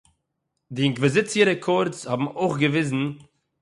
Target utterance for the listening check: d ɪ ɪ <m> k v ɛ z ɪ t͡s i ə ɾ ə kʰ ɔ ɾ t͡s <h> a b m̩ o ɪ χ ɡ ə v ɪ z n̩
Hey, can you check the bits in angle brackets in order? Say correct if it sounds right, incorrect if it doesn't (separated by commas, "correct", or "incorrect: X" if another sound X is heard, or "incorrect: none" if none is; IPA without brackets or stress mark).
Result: incorrect: ŋ, correct